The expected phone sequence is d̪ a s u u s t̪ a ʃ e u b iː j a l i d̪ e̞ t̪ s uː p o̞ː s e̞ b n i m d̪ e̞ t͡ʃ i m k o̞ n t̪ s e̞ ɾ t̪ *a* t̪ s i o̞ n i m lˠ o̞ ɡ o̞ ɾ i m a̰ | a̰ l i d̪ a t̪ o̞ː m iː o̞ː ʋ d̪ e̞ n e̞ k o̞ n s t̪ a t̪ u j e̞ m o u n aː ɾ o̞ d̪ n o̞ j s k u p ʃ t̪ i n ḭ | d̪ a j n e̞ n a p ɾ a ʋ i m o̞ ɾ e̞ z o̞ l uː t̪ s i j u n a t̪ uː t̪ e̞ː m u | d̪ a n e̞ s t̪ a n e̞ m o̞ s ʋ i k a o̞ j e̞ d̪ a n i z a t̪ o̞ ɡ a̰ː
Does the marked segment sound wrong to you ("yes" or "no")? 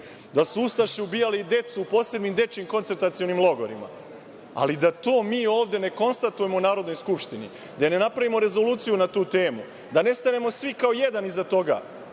no